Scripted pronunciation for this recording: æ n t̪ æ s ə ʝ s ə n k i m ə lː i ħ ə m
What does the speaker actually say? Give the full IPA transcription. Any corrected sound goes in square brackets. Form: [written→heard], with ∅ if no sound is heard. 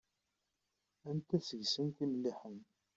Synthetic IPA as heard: æ n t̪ æ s ə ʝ s ə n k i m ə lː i ħ ə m